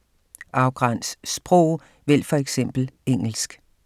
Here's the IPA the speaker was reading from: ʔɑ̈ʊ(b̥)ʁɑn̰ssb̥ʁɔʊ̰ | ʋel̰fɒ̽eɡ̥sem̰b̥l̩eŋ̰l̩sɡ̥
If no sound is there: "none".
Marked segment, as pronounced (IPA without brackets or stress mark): ɡ̥